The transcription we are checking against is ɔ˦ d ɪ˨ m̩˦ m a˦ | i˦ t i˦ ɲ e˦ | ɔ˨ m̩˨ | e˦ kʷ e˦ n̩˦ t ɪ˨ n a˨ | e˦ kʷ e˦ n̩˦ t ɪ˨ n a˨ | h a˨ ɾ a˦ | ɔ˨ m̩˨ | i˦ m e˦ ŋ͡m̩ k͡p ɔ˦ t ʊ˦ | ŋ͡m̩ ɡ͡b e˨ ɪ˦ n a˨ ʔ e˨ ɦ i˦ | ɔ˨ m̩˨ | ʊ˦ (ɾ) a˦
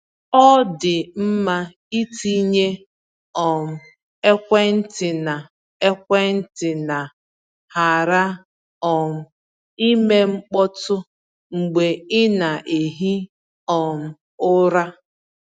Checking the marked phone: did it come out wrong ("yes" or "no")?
no